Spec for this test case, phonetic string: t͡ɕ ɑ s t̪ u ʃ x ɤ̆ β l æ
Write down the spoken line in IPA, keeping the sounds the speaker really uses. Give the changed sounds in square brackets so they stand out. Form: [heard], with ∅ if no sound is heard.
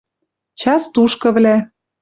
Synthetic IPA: t͡ɕ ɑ s t̪ u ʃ [k] ɤ̆ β l æ